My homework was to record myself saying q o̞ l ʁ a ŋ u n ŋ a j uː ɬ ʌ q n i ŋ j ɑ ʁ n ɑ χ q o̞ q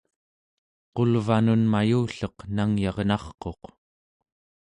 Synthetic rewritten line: q o̞ l v a n u n m a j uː ɬ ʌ q n a ŋ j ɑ ʁ n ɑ χ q o̞ q